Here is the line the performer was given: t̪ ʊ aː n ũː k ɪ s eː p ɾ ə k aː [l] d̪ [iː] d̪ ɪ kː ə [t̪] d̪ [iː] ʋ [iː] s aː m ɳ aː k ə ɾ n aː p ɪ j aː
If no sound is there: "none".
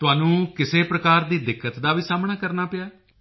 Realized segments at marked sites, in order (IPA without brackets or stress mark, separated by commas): ɾ, iː, t̪, aː, iː